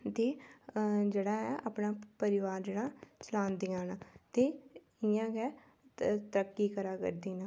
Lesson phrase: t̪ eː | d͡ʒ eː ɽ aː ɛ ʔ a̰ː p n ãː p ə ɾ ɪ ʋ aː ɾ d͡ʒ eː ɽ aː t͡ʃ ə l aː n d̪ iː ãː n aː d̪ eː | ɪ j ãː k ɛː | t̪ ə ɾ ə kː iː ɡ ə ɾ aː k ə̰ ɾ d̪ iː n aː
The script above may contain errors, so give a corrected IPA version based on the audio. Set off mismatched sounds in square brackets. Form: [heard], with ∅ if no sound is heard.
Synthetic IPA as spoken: t̪ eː | d͡ʒ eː ɽ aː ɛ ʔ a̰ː p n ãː p ə ɾ ɪ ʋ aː ɾ d͡ʒ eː ɽ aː t͡ʃ ə l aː n d̪ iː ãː n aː [t̪] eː | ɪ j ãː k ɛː | t̪ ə ɾ ə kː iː [k] ə ɾ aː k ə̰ ɾ d̪ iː n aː